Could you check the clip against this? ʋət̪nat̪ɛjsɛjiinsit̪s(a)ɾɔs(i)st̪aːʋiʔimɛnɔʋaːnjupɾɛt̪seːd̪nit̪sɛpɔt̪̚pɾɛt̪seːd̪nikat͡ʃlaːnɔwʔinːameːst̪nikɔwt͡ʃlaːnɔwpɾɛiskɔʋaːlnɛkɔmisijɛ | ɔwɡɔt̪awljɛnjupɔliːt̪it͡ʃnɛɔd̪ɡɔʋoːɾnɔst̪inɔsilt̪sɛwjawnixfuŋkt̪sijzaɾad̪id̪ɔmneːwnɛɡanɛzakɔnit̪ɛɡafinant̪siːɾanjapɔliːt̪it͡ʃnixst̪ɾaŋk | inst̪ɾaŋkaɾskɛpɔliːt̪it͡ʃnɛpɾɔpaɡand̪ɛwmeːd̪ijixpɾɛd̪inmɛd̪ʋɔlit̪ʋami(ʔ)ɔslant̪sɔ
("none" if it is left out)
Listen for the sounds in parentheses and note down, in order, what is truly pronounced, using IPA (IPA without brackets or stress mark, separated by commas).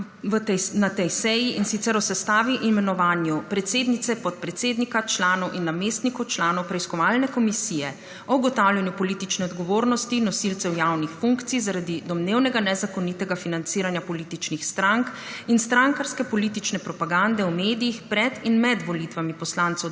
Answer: ɛ, ɛ, p